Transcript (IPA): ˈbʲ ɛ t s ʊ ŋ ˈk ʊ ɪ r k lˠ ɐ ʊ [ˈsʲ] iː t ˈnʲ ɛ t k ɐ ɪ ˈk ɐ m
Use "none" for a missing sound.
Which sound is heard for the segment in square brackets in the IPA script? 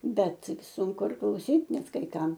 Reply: sʲ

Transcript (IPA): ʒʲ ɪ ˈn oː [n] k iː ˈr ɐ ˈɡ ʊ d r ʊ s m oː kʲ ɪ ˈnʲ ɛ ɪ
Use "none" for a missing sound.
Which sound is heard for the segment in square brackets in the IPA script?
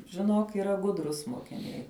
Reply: none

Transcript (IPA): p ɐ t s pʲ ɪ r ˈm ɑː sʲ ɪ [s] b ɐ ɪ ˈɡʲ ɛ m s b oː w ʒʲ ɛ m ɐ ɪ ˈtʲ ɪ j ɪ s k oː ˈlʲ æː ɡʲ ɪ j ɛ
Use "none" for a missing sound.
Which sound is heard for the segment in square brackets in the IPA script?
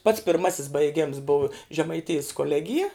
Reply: s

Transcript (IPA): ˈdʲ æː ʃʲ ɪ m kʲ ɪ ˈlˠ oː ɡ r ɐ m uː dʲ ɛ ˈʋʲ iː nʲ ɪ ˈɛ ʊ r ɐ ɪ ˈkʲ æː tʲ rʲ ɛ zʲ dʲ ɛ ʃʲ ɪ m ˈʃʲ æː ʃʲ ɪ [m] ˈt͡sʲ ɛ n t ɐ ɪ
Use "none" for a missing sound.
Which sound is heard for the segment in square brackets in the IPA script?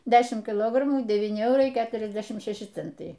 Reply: none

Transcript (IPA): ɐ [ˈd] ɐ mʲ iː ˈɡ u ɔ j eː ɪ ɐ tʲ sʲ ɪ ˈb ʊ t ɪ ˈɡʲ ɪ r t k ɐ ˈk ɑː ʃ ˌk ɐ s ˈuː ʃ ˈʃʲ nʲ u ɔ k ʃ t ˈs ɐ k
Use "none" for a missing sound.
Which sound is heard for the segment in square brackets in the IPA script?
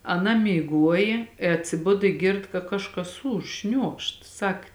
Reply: n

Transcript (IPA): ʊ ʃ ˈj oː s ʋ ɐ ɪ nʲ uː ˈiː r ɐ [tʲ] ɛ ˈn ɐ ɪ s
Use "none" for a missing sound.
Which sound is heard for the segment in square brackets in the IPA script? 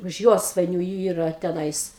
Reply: tʲ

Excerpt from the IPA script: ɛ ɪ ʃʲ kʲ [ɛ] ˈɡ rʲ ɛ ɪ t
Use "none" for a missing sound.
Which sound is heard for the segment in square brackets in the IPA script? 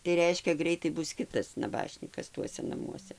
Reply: ɛ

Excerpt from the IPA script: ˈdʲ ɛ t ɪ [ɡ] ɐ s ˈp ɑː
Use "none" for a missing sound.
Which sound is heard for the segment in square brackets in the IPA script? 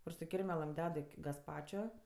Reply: ɡ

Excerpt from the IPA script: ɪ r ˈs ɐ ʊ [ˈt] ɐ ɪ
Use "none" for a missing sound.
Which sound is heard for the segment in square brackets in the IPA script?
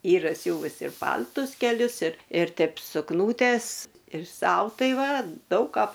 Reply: t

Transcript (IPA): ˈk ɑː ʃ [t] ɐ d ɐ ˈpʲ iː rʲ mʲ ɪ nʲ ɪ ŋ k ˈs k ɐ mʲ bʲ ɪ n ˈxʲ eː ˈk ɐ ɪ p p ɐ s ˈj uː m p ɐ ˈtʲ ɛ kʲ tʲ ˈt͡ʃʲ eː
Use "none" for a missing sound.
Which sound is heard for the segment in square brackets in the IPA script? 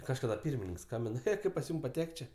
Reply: k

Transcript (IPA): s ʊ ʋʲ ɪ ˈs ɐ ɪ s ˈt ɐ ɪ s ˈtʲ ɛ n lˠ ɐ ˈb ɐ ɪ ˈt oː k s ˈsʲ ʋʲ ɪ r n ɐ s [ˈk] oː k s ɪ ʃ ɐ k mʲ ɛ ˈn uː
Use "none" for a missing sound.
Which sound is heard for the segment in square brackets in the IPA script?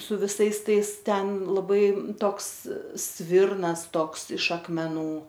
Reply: t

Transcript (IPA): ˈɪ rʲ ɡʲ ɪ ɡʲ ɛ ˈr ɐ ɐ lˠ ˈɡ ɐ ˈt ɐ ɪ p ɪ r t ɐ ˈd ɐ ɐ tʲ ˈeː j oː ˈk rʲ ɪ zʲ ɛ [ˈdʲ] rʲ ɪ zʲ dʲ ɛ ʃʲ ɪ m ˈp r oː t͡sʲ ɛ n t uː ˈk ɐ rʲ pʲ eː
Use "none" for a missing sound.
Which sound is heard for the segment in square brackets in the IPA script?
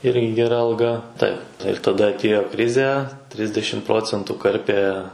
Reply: tʲ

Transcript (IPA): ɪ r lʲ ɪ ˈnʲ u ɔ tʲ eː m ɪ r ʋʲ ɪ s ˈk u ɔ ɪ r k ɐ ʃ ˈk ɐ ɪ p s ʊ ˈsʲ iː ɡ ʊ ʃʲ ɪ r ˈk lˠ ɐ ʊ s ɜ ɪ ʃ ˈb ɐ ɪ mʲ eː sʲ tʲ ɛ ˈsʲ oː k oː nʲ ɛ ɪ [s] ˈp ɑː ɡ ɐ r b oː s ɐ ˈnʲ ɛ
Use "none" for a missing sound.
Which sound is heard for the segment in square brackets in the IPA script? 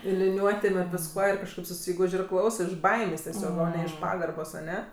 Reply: ʃ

